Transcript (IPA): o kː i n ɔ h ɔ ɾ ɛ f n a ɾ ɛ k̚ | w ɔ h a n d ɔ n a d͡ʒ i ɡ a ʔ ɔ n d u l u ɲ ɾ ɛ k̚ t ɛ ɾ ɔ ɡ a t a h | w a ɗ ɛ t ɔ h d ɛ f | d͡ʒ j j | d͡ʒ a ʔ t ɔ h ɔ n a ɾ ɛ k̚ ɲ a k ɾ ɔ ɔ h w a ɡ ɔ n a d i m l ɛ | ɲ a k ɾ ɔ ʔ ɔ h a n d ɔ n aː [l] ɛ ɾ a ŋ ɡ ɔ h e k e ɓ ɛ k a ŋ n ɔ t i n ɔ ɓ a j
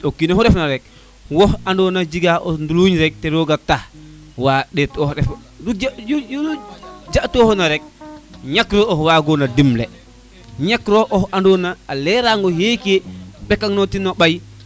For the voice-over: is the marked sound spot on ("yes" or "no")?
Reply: yes